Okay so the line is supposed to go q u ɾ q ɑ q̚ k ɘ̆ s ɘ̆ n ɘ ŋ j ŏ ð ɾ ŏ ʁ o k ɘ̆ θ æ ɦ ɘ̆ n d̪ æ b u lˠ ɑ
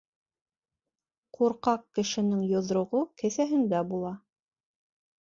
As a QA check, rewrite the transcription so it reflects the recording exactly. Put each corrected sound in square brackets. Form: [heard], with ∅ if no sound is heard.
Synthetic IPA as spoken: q u ɾ q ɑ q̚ k ɘ̆ [ʃ] ɘ̆ n ɘ ŋ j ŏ ð ɾ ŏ ʁ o k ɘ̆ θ æ ɦ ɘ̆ n d̪ æ b u lˠ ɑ